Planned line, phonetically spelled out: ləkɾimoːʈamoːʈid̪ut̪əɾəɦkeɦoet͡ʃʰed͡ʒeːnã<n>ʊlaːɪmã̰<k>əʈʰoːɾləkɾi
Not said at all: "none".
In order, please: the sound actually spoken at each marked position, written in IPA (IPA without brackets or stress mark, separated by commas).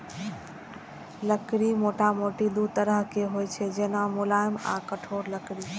m, k